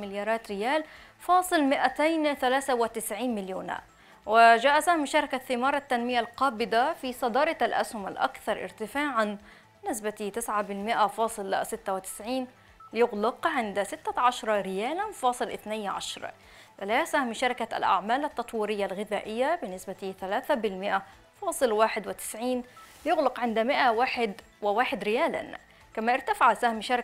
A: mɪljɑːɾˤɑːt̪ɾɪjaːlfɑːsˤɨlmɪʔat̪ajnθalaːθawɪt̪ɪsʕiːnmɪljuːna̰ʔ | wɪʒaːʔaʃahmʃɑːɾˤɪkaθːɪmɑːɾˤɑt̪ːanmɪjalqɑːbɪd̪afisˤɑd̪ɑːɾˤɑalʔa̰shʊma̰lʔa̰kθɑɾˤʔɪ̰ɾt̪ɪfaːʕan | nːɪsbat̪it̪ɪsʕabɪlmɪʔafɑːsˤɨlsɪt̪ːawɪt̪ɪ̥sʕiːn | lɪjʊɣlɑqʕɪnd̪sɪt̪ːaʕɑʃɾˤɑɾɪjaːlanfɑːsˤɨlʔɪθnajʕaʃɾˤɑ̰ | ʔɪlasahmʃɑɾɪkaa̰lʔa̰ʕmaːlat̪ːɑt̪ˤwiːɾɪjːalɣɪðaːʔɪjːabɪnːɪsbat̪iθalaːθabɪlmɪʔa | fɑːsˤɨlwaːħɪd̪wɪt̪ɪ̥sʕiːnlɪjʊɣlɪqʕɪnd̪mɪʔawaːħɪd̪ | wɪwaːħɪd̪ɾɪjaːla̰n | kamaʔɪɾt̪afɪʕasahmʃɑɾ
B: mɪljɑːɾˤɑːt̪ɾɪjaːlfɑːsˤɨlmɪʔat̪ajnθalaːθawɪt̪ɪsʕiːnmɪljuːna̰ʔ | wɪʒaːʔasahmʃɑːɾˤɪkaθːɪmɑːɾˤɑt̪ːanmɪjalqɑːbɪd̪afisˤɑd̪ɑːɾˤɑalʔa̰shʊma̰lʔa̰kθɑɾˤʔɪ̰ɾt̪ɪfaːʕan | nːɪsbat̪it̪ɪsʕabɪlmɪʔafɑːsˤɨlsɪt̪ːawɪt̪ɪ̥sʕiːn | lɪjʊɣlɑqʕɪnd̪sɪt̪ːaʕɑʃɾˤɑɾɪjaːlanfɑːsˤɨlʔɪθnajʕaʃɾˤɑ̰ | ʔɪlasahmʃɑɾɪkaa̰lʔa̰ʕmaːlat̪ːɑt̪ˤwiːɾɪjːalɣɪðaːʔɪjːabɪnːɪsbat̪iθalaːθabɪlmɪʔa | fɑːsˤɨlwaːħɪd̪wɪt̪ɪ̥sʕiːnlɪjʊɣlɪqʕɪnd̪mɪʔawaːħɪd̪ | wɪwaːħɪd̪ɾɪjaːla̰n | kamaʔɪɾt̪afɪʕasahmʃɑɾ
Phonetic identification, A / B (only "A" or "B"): B